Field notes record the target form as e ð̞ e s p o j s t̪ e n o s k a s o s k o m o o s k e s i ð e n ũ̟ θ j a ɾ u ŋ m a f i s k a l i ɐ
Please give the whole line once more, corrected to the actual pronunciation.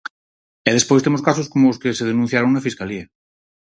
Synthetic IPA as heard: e ð̞ e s p o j s t̪ e m o s k a s o s k o m o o s k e s e ð e n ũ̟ θ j a ɾ o ŋ n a f i s k a l i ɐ